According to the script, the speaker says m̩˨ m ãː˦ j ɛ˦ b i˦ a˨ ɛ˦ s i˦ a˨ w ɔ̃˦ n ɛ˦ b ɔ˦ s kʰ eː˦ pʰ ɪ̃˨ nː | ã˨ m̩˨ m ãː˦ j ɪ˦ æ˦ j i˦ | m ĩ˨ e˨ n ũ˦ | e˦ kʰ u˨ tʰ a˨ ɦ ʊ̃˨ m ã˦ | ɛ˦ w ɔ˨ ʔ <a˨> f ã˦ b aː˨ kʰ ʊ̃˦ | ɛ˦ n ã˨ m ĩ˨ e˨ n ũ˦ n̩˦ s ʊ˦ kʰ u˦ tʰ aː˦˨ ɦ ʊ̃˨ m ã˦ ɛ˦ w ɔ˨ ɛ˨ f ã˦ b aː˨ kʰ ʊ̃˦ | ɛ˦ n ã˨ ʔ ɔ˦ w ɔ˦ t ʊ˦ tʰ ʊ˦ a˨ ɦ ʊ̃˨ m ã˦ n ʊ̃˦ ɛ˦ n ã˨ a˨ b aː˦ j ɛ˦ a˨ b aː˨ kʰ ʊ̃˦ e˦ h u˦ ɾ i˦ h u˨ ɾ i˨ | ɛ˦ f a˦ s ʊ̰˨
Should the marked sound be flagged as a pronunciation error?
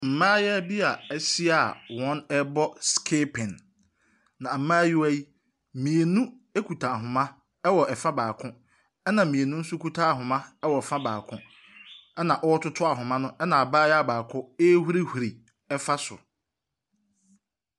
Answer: yes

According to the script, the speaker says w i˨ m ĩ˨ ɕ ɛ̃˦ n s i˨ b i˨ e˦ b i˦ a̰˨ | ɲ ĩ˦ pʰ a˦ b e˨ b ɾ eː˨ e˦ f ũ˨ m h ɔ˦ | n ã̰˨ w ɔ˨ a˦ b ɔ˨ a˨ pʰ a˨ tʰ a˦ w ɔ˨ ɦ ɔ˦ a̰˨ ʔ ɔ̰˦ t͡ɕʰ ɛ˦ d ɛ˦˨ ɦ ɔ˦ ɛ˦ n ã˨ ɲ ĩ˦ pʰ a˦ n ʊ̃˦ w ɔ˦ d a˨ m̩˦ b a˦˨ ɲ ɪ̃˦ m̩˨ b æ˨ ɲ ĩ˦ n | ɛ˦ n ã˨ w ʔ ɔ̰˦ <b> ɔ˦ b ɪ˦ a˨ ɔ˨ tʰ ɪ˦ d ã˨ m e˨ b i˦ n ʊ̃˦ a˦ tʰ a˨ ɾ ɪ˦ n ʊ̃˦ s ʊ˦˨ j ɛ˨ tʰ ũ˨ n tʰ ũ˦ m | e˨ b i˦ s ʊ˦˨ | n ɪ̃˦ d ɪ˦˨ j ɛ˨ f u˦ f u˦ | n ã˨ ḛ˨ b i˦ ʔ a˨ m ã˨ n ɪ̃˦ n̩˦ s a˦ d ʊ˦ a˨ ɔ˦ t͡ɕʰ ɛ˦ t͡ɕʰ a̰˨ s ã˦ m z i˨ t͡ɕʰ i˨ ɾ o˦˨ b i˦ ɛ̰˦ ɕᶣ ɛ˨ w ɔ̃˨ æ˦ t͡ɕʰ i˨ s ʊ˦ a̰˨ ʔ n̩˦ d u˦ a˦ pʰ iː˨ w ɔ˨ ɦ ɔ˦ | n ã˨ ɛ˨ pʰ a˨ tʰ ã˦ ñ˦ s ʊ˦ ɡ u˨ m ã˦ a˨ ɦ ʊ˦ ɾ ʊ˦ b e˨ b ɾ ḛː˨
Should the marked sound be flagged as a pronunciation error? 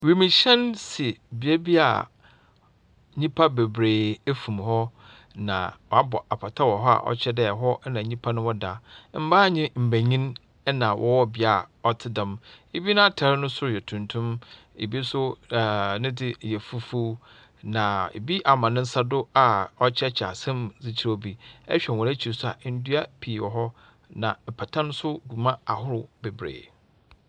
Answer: yes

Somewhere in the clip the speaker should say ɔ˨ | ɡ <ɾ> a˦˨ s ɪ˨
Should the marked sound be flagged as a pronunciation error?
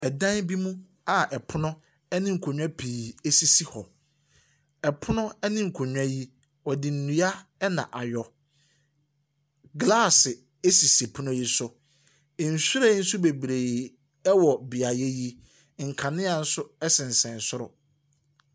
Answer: yes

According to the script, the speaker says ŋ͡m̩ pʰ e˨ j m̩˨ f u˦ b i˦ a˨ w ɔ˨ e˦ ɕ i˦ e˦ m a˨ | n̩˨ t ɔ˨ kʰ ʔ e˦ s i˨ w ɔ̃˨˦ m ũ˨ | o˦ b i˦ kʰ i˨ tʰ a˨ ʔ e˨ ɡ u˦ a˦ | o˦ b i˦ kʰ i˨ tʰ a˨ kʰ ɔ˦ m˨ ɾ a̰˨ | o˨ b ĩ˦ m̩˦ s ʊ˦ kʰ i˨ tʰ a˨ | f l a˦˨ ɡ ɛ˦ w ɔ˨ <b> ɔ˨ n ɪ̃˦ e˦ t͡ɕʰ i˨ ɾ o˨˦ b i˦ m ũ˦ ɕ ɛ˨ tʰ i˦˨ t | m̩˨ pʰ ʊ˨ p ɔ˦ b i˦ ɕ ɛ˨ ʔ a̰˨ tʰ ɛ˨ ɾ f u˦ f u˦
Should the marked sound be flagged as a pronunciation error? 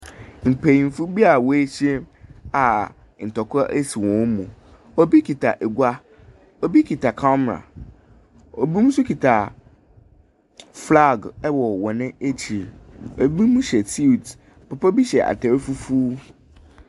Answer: yes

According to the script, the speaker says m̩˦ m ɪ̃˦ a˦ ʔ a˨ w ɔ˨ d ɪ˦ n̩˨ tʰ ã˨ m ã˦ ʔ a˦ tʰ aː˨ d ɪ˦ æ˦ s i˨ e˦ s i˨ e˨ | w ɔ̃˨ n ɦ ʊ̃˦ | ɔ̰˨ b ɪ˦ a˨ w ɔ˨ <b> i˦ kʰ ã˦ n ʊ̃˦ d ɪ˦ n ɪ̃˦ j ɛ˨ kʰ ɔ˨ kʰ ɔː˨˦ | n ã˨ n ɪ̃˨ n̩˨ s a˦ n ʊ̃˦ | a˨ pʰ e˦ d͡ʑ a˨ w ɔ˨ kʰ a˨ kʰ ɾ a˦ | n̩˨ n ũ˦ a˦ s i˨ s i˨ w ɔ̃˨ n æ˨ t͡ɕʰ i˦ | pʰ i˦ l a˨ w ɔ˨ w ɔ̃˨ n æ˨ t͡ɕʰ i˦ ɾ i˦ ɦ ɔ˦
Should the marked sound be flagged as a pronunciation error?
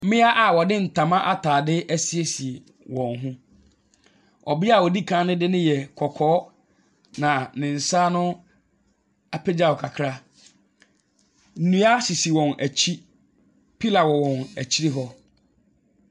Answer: yes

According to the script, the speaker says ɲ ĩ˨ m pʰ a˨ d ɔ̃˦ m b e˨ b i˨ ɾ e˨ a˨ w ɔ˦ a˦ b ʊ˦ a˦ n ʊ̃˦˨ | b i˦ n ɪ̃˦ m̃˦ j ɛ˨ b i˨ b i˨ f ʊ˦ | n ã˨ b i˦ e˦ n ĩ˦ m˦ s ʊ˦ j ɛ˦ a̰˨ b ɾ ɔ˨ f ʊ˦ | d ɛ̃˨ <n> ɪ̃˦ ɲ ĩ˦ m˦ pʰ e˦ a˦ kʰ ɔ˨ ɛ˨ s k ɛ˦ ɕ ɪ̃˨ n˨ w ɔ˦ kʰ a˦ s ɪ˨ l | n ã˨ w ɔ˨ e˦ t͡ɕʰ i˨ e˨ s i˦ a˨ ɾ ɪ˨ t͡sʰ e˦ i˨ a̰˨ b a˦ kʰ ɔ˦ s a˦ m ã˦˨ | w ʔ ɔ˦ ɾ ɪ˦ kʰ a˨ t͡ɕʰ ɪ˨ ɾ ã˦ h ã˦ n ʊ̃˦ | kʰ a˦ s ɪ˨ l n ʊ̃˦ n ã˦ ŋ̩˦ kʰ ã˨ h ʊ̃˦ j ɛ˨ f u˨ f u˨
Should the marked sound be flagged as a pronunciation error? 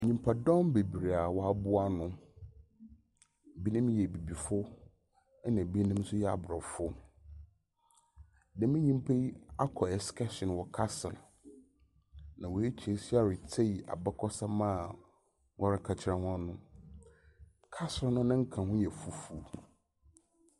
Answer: yes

